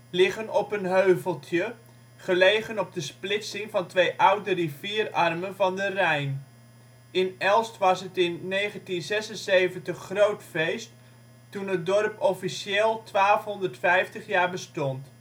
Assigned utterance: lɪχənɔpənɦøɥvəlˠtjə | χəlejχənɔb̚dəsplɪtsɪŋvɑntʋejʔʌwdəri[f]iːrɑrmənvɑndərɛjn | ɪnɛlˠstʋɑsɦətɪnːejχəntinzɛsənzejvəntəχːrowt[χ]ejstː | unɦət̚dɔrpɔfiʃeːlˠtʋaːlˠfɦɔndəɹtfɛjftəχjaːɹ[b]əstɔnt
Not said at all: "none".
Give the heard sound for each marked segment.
v, f, b

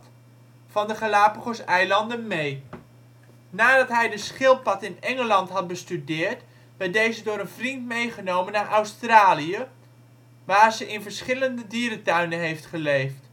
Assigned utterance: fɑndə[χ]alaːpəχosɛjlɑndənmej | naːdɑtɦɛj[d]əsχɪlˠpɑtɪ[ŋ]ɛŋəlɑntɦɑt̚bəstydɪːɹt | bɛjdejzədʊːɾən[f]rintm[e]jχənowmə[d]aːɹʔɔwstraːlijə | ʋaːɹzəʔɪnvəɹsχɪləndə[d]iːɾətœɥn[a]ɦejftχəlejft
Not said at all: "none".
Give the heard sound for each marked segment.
χ, d, n, v, e, n, d, ə

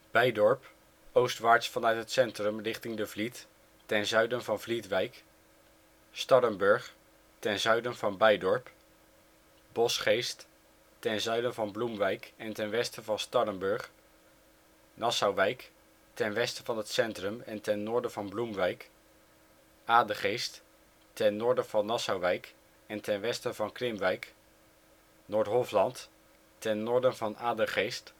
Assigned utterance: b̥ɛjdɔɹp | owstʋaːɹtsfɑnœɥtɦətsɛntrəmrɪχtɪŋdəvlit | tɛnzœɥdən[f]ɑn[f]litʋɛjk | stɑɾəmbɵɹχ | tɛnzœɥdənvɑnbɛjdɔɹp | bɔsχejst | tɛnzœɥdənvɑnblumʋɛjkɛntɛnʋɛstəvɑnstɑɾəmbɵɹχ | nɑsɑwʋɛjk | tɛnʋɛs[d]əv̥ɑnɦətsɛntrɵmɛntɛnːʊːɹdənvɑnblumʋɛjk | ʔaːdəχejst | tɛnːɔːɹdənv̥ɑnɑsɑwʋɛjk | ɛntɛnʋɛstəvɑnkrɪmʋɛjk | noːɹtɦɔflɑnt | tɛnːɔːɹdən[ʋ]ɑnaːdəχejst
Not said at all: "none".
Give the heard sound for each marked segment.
v, v, t, v

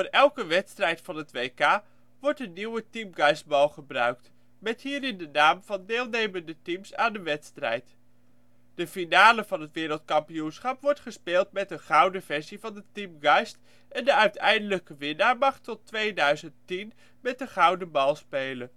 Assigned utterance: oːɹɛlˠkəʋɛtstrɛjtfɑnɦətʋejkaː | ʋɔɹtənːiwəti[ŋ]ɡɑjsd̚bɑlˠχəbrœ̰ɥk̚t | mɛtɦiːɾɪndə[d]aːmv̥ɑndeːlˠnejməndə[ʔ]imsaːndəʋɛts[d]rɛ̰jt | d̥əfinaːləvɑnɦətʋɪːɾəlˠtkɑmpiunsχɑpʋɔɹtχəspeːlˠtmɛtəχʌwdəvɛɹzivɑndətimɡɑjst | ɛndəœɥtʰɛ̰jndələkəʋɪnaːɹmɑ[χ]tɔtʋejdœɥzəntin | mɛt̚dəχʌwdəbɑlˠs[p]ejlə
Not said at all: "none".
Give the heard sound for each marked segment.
m, n, t, t, χ, p

